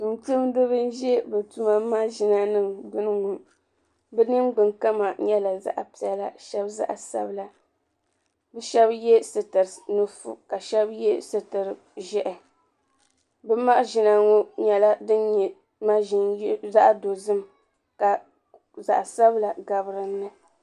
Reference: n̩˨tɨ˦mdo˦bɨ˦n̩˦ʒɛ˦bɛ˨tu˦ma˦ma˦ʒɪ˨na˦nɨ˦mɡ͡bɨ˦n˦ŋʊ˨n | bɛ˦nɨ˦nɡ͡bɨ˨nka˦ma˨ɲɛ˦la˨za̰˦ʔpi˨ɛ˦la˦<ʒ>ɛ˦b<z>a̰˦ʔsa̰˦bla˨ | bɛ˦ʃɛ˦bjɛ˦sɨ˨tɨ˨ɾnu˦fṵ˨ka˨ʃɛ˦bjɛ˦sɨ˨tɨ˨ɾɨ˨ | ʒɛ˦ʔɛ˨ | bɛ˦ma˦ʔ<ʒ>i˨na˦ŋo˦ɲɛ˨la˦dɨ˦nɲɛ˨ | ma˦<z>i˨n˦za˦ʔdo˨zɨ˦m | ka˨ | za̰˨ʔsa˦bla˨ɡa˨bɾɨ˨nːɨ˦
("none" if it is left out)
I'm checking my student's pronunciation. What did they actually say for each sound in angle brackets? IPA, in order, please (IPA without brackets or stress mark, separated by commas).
ʃ, z, ʒ, ʒ